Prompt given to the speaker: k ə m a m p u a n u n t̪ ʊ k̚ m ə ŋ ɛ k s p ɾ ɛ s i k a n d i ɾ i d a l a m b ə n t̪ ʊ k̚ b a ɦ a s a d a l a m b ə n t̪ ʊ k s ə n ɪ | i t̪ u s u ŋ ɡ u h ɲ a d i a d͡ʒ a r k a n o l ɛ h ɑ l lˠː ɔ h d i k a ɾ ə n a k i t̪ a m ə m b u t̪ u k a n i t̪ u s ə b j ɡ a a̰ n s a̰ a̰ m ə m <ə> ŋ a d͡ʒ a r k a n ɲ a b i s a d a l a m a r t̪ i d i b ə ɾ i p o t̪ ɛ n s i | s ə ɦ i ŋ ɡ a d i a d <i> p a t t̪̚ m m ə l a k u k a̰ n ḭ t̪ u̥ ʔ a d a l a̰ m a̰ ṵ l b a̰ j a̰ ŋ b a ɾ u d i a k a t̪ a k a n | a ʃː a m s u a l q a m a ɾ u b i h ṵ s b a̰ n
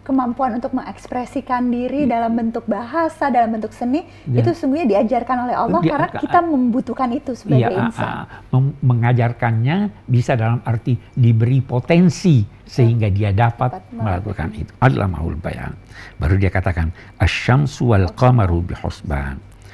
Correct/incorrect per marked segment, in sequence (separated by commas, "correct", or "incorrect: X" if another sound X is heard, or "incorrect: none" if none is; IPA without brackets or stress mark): correct, incorrect: a